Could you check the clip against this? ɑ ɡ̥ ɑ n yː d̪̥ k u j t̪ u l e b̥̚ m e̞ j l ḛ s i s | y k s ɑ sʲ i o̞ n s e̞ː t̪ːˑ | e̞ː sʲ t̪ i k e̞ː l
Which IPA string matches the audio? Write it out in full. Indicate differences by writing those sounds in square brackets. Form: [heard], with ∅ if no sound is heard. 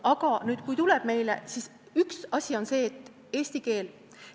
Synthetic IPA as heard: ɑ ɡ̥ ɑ n yː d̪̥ k u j t̪ u l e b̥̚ m e̞ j l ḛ s i s | y k s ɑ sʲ i o̞ n s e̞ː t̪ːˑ | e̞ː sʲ t̪ i k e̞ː l